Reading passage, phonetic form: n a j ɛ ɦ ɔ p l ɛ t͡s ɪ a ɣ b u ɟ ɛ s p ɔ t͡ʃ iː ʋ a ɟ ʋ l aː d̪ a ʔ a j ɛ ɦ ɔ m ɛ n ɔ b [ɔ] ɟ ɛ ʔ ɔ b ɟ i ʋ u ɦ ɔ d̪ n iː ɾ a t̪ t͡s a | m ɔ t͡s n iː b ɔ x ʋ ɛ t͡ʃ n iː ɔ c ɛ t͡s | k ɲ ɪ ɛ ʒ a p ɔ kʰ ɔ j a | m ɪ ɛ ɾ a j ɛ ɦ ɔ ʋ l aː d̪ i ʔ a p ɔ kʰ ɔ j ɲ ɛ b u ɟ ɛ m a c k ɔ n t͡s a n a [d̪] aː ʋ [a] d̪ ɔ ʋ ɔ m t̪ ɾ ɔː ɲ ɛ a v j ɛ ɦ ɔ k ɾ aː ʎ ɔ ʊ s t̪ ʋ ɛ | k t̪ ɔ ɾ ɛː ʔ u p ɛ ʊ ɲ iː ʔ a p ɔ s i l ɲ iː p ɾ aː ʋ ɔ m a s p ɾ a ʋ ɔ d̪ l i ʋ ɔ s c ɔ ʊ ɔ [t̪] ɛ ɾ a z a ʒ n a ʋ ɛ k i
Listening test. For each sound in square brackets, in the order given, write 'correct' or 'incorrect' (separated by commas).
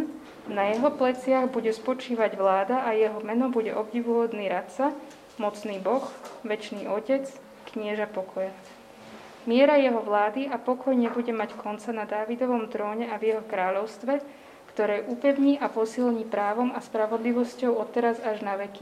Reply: incorrect, correct, incorrect, correct